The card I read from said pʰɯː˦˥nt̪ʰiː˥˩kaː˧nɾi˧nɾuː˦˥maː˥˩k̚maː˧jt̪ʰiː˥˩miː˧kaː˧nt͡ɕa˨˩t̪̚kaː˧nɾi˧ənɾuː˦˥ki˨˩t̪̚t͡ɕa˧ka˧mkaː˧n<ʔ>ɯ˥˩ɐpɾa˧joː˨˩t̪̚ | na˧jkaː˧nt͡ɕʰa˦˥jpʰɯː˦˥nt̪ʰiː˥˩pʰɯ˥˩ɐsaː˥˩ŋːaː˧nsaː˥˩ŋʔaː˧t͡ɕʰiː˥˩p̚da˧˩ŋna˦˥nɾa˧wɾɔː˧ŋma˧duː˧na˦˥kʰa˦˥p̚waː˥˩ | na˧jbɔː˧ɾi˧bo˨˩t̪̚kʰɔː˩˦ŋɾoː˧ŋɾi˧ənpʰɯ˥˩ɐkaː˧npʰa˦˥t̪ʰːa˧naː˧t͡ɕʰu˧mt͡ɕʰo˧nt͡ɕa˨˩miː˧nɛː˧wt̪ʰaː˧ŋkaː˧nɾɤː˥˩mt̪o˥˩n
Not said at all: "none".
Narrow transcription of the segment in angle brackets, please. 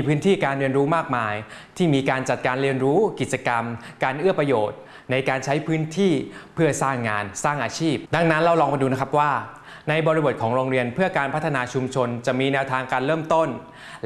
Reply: ʔ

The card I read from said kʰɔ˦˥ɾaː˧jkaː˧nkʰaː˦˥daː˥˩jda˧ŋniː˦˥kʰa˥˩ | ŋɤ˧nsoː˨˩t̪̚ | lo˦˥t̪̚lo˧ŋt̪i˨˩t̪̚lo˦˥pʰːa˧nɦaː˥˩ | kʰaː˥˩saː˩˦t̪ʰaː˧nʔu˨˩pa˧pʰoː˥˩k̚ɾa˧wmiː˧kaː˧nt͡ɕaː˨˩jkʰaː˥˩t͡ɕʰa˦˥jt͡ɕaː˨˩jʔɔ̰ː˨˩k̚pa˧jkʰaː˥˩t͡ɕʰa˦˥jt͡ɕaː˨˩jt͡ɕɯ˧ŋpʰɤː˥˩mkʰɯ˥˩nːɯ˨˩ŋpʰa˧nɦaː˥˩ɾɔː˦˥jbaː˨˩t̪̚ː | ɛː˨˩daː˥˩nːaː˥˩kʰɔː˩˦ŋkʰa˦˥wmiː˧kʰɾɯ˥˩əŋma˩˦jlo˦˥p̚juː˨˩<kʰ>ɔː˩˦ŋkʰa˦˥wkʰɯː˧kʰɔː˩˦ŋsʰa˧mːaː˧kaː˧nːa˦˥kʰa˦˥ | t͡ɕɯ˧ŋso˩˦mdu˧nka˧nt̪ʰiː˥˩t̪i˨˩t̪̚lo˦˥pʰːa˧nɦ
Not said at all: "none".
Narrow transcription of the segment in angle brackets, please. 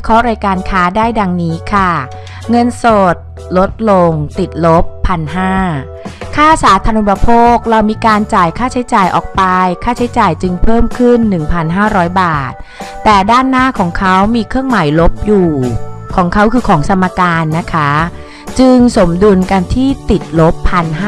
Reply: kʰ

